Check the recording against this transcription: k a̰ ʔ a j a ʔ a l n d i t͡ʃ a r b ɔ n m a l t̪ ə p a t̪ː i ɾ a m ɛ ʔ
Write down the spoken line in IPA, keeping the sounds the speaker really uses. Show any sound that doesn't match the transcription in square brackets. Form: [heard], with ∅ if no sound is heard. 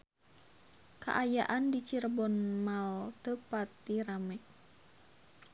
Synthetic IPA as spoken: k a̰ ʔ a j a ʔ a [∅] n d i t͡ʃ [i] r b ɔ n m a l t̪ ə p a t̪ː i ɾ a m ɛ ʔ